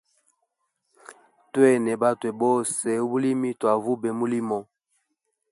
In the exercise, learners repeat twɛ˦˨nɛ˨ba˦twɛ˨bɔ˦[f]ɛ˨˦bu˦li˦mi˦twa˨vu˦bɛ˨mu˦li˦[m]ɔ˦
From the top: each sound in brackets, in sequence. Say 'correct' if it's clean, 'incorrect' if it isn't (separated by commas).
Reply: incorrect, correct